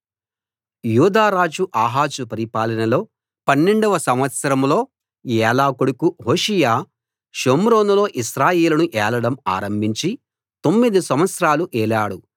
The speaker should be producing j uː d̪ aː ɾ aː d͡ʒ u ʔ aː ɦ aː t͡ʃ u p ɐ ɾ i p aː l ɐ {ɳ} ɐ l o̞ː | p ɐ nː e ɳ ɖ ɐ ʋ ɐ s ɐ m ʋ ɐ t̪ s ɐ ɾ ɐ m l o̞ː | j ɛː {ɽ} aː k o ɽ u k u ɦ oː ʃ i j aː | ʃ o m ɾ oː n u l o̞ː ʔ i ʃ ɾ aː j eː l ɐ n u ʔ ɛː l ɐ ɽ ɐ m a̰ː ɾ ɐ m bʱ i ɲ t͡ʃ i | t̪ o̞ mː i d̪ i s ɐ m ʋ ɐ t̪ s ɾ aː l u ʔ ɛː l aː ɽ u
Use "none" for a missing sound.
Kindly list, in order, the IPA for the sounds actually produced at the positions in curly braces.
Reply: n, l

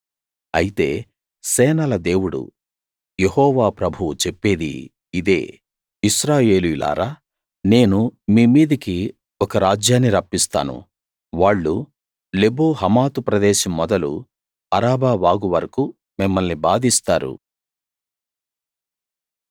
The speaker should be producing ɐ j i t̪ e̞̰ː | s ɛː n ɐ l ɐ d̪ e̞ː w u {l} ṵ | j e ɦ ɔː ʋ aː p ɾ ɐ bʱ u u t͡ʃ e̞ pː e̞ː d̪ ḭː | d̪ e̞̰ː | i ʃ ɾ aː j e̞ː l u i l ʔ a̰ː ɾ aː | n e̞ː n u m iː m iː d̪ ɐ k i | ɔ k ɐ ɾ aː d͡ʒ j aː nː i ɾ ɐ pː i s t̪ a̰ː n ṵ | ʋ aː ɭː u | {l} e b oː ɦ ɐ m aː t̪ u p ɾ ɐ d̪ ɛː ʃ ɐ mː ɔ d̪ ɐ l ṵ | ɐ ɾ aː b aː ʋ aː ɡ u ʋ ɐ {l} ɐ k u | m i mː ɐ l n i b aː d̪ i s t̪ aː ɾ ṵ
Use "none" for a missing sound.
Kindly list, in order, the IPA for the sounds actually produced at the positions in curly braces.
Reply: ɽ, l, ɾ

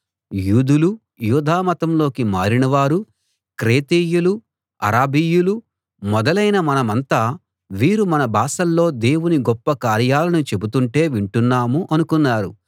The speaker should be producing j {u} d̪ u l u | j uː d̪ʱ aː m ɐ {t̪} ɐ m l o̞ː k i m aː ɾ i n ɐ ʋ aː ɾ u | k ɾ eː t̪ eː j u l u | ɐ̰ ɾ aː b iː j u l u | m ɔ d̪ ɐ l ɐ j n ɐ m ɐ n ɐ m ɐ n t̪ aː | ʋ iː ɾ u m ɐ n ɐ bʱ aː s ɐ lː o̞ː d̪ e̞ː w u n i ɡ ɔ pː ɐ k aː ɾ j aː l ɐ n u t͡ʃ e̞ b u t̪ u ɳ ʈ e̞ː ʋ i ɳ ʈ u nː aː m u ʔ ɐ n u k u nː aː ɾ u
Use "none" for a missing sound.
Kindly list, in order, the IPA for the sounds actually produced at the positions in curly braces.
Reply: uː, t̪

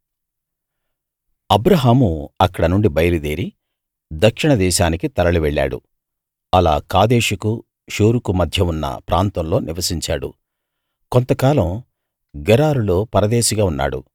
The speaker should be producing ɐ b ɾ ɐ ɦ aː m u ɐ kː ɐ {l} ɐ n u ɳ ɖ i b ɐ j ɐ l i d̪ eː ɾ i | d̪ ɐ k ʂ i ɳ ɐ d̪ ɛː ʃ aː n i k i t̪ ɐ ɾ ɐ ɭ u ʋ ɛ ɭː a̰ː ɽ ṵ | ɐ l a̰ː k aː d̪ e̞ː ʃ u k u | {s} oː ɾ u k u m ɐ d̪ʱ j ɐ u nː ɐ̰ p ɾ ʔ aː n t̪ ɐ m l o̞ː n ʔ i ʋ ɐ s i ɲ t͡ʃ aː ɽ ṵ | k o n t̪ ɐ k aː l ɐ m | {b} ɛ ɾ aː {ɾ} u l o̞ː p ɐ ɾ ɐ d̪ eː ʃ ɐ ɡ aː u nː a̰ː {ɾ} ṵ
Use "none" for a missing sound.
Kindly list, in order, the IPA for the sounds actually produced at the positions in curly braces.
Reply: ɽ, ʃ, ɡ, ɾ, ɽ

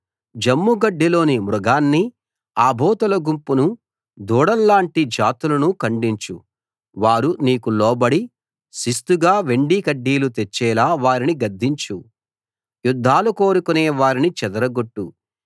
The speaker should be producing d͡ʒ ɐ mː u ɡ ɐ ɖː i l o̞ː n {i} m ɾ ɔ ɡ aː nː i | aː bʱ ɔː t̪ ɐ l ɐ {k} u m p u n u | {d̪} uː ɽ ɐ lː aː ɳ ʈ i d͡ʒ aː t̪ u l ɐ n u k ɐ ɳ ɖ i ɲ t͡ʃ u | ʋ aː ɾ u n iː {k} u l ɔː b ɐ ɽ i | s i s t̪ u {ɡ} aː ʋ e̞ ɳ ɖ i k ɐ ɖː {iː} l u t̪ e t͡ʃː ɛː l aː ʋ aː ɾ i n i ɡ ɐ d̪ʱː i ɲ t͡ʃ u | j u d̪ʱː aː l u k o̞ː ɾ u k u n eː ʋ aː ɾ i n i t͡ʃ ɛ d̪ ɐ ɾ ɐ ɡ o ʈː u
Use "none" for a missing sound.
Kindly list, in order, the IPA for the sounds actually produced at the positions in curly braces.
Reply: i, ɡ, d̪, k, ɡ, iː

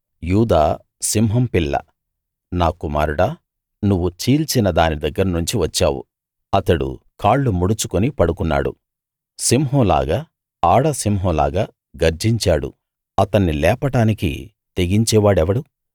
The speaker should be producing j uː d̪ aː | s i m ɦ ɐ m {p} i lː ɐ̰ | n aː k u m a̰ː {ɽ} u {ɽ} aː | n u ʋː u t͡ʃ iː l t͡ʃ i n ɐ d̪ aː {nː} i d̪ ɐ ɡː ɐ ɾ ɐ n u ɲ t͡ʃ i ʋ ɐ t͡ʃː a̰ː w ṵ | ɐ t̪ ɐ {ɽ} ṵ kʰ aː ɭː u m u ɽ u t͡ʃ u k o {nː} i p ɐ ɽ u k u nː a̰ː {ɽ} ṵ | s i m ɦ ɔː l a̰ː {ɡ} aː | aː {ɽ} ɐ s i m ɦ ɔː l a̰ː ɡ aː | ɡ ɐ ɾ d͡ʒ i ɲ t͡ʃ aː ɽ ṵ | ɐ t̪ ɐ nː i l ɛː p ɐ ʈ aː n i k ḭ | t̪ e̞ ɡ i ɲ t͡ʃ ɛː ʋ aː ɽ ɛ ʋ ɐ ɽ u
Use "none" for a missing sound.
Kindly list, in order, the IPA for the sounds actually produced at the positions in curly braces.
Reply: p, ɾ, ɽ, n, ɽ, n, ɽ, ɡ, ɽ

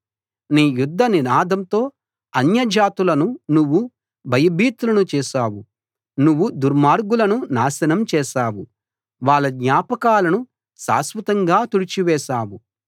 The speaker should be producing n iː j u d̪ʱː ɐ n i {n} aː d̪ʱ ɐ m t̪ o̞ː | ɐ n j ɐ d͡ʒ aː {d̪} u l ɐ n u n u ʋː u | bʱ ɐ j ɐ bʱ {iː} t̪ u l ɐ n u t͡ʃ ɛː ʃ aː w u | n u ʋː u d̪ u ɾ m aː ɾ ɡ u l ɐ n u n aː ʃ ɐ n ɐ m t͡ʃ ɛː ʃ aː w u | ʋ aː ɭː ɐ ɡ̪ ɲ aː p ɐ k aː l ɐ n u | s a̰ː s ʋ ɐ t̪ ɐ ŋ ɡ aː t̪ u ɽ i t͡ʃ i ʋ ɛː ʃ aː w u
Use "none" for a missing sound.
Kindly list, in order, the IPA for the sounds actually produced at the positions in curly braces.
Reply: n, t̪, iː

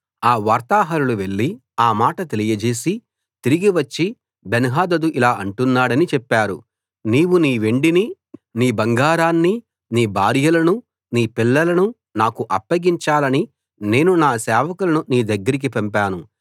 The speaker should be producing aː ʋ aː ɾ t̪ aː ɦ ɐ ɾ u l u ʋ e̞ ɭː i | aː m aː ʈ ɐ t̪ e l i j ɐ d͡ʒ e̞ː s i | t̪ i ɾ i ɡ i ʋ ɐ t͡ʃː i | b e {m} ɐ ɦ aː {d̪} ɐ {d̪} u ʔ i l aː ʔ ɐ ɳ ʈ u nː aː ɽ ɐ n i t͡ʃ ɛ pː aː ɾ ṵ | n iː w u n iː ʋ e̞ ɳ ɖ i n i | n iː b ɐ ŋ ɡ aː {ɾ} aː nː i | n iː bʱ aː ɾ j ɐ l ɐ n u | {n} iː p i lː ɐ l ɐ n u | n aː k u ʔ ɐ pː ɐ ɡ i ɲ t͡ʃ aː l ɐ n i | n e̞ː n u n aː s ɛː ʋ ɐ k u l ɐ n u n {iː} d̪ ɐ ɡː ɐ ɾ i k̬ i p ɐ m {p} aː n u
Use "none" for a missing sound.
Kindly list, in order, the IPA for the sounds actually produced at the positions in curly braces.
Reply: n, d̪, d̪, ɾ, n, iː, p

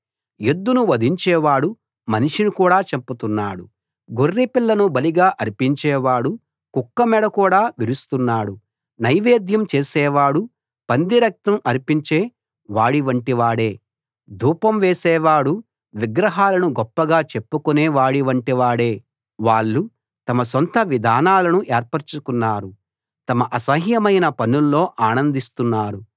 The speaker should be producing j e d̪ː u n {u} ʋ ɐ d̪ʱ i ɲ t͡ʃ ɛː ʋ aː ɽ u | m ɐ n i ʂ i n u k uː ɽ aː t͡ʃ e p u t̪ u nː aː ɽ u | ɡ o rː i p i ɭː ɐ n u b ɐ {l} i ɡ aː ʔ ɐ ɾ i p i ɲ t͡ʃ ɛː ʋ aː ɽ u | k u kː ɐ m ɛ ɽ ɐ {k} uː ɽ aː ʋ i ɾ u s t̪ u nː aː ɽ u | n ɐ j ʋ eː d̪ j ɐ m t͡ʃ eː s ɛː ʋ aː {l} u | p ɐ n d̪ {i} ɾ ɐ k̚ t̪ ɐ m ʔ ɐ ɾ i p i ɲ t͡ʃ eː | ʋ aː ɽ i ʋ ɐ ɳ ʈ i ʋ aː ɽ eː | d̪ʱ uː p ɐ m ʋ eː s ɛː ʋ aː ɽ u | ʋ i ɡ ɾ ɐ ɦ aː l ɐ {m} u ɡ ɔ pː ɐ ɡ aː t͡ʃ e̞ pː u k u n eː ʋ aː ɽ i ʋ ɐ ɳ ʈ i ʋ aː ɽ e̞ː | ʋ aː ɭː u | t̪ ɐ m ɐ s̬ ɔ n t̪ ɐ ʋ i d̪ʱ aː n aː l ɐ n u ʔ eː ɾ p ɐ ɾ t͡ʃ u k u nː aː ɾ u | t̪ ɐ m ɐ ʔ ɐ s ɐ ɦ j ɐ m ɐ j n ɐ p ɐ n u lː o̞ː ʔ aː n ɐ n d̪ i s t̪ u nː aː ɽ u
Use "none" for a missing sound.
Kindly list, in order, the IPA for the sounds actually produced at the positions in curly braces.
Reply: u, l, k, ɽ, i, n

